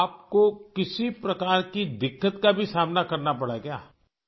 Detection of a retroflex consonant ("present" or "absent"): present